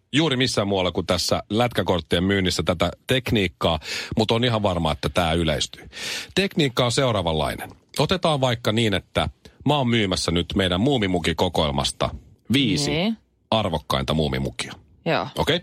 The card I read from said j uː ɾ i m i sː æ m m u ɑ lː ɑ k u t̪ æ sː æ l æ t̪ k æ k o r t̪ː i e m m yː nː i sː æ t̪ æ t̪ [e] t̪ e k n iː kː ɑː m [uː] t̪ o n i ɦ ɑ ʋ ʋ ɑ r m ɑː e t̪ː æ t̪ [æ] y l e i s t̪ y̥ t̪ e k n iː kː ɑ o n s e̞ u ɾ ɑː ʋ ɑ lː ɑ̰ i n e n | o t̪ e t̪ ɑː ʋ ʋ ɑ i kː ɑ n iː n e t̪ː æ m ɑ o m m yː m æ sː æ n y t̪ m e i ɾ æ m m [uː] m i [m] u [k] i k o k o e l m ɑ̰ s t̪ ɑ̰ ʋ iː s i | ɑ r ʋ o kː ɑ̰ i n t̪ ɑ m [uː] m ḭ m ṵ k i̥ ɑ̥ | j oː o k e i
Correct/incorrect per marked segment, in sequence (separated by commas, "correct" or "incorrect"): incorrect, incorrect, incorrect, correct, correct, correct, correct